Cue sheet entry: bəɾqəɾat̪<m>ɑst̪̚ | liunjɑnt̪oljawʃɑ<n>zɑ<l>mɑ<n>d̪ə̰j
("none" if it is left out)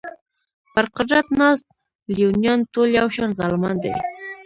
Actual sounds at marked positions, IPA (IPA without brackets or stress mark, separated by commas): n, n, l, n